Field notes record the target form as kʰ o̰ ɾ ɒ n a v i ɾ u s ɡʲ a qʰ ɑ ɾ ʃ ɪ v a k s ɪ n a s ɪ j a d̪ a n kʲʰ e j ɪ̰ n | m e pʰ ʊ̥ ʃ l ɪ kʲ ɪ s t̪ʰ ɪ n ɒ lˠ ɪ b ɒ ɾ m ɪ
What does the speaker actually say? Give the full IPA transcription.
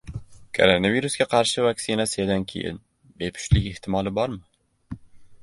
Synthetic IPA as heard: kʰ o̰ ɾ o n a v i ɾ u s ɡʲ a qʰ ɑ ɾ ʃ ɪ v a k s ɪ n a s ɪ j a d̪ a n kʲʰ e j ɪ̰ n | b e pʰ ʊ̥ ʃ l ɪ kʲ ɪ h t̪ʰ ɪ m ɒ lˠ ɪ b ɒ ɾ m ɪ

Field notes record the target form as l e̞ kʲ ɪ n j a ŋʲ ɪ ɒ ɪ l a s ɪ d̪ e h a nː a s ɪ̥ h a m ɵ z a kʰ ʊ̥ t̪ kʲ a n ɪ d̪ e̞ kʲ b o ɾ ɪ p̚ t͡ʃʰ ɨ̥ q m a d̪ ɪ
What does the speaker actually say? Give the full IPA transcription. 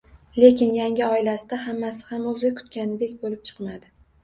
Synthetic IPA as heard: l e̞ kʲ ɪ n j a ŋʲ ɪ ɒ ɪ l a s ɪ d̪ a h a mː a s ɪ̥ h a m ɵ z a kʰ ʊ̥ t̪ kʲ a n ɪ d̪ e̞ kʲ b o l ɪ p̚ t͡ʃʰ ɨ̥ q m a d̪ ɪ

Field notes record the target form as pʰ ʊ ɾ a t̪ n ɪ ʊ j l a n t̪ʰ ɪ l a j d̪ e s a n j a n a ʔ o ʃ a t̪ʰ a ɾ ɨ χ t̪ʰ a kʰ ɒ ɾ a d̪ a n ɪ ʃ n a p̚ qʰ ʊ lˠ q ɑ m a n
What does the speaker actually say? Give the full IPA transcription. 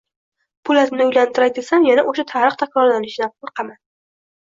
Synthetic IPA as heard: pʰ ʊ l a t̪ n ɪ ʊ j l a n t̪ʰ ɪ ɾ a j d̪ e s a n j a n a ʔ o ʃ a t̪ʰ a ɾ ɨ χ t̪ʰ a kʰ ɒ ɾ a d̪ a n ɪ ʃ n a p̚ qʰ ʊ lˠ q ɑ m a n

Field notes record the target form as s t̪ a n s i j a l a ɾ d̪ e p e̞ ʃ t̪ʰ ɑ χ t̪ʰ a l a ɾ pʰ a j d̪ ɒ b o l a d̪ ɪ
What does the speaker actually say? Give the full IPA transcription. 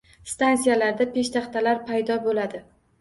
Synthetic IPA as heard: s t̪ a n s i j a l a ɾ d̪ a p e̞ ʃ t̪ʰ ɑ χ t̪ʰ a l a ɾ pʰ a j d̪ ɒ b o l a d̪ ɪ

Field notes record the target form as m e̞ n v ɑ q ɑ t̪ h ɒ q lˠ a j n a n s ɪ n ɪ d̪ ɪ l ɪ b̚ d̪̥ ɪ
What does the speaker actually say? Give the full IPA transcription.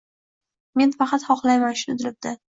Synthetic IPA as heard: m e̞ n f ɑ q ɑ t̪ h ɒ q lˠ a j m a n ʃ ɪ n ɪ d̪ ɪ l ɪ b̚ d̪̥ ɪ

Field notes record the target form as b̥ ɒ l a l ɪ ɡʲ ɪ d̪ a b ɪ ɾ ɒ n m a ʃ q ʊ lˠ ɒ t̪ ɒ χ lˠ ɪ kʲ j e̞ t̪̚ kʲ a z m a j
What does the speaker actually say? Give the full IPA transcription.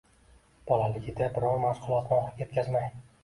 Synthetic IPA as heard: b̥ ɒ l a l ɪ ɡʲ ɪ d̪ a b ɪ ɾ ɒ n m a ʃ q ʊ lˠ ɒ t̪ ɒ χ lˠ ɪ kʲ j e̞ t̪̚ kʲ a z m a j

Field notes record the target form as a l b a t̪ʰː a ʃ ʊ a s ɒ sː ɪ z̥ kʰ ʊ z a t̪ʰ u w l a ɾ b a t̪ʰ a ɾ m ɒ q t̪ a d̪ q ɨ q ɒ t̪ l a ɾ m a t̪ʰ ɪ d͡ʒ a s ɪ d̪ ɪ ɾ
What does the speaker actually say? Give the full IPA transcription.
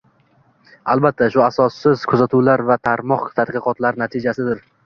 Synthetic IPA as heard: a l b a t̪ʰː a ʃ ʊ a s ɒ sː ɪ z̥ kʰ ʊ z a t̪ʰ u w l a ɾ v a t̪ʰ a ɾ m ɒ q t̪ʰ a d̪ q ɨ q ɒ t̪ l a ɾ n a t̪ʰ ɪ d͡ʒ a s ɪ d̪ ɪ ɾ

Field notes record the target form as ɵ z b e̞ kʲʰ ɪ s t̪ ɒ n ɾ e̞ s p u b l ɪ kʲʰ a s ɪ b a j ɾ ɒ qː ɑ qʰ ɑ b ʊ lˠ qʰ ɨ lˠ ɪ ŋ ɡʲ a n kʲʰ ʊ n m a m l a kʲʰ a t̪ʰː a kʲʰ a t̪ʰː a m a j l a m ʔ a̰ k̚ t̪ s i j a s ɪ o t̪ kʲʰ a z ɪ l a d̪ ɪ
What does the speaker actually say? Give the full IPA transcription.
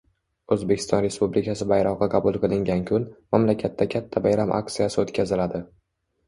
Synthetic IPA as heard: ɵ z b e̞ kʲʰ ɪ s t̪ ɒ n ɾ e̞ s p u b l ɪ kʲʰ a s ɪ b a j ɾ ɒ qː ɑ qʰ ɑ b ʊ lˠ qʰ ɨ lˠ ɪ ŋ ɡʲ a n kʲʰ ʊ n m a m l a kʲʰ a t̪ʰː a kʲʰ a t̪ʰː a b a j ɾ a m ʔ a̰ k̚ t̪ s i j a s ɪ o t̪ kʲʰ a z ɪ l a d̪ ɪ

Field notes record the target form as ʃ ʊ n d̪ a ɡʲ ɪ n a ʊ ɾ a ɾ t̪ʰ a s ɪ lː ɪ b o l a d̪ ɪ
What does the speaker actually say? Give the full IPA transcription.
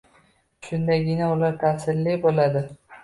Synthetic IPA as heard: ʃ ʊ n d̪ a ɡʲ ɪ n a ʊ l a ɾ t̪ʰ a s ɪ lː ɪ b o l a d̪ ɪ

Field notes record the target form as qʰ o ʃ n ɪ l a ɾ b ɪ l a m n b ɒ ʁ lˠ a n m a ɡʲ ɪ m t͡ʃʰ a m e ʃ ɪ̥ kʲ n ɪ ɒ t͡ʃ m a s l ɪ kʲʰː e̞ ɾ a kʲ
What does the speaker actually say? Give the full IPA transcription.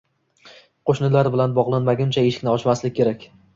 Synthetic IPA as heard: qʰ o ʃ n ɪ l a ɾ b ɪ l a n b ɒ ʁ lˠ a n m a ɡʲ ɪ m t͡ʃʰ a e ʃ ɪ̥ kʲ n ɪ ɒ t͡ʃ m a s l ɪ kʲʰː e̞ ɾ a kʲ

